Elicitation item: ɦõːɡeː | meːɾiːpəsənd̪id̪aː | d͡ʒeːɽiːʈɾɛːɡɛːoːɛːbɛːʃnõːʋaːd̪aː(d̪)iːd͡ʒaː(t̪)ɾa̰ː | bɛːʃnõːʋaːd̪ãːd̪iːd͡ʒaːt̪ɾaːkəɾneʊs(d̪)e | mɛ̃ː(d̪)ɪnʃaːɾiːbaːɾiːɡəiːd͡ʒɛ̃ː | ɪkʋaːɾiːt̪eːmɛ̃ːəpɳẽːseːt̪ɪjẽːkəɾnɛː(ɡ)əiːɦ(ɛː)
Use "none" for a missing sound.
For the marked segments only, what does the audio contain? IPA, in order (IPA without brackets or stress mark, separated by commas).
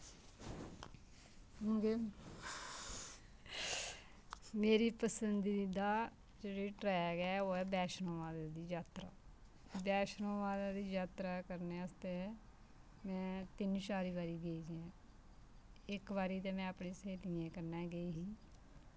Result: d̪, t̪, t̪, t̪, ɡ, iː